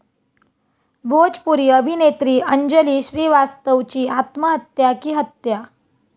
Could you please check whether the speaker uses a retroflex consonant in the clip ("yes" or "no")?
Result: no